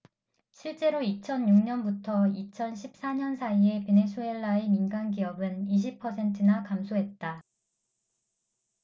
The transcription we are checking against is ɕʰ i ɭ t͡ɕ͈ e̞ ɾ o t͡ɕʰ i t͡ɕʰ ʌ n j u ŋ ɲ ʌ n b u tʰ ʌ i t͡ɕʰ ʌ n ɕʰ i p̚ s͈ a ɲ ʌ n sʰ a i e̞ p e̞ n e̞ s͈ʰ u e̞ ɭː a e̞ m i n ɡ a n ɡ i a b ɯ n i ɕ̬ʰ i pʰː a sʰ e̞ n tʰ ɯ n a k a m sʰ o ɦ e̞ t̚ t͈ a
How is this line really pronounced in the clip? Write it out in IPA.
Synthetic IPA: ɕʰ i ɭ t͡ɕ͈ e̞ ɾ o i t͡ɕʰ ʌ n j u ŋ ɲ ʌ n b u tʰ ʌ i t͡ɕʰ ʌ n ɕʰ i p̚ s͈ a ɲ ʌ n sʰ a i e̞ p e̞ n e̞ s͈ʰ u e̞ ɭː a e̞ m i n ɡ a n ɡ i ʌ b ɯ n i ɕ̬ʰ i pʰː ʌ sʰ e̞ n tʰ ɯ n a k a m sʰ o ɦ e̞ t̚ t͈ a

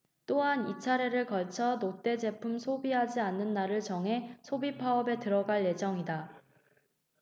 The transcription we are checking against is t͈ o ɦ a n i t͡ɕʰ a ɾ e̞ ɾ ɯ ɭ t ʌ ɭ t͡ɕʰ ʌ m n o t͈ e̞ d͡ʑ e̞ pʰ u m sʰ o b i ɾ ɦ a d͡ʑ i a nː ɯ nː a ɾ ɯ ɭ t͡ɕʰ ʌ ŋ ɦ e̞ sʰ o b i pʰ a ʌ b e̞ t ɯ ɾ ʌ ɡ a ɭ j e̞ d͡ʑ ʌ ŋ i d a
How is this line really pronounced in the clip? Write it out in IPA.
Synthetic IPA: t͈ o ɦ a n i t͡ɕʰ a ɾ e̞ ɾ ɯ ɭ k ʌ ɭ t͡ɕʰ ʌ n o t͈ e̞ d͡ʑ e̞ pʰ u m sʰ o b i ɦ a d͡ʑ i a nː ɯ nː a ɾ ɯ ɭ t͡ɕ ʌ ŋ ɦ e̞ sʰ o b i pʰ a ʌ b e̞ t ɯ ɾ ʌ ɡ a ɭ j e̞ d͡ʑ ʌ ŋ i d a

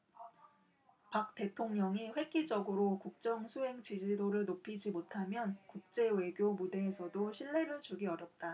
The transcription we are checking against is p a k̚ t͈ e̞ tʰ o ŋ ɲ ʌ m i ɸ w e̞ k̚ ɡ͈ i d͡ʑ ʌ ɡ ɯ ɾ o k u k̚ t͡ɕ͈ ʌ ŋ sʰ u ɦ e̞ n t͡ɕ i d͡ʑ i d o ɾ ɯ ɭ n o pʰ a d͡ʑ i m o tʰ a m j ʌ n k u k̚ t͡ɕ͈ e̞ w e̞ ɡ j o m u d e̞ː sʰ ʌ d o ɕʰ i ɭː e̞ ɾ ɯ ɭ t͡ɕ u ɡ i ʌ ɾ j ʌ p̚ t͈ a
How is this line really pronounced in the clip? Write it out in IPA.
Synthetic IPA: p a k̚ t͈ e̞ tʰ o ŋ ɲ ʌ ŋ i ɸ w e̞ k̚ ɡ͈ i d͡ʑ ʌ ɡ ɯ ɾ o k u k̚ t͡ɕ͈ ʌ ŋ sʰ u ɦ e̞ ŋ t͡ɕ i d͡ʑ i d o ɾ ɯ ɭ n o pʰ i d͡ʑ i m o tʰ a m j ʌ n k u k̚ t͡ɕ͈ e̞ w e̞ ɡ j o m u d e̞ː sʰ ʌ d o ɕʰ i ɭː e̞ ɾ ɯ ɭ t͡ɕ u ɡ i ʌ ɾ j ʌ p̚ t͈ a

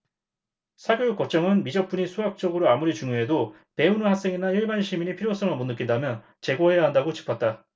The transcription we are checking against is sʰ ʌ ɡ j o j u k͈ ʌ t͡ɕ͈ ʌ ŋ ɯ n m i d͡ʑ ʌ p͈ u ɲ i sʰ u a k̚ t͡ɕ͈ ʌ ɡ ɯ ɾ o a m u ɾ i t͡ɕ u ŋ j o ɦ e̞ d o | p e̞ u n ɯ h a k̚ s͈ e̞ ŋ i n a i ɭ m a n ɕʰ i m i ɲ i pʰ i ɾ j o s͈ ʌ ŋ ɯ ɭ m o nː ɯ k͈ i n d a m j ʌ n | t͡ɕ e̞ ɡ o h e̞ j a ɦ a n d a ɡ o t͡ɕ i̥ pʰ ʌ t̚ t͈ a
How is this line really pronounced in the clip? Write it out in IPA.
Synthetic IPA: sʰ a ɡ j o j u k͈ ʌ t͡ɕ͈ ʌ ŋ ɯ n m i d͡ʑ ʌ p͈ u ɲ i sʰ u a k̚ t͡ɕ͈ ʌ ɡ ɯ ɾ o a m u ɾ i t͡ɕ u ŋ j o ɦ e̞ d o | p e̞ u n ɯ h a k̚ s͈ e̞ ŋ i n a i ɭ b a n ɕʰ i m i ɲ i pʰ i ɾ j o s͈ ʌ ŋ ɯ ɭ m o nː ɯ k͈ i n d a m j ʌ n | t͡ɕ e̞ ɡ o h e̞ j a ɦ a n d a ɡ o t͡ɕ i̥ pʰ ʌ t̚ t͈ a

